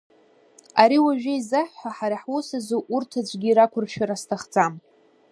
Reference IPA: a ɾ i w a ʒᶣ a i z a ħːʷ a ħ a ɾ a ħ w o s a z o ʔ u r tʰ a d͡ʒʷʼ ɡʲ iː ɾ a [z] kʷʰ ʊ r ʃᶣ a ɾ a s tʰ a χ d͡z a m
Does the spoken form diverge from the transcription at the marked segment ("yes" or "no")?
yes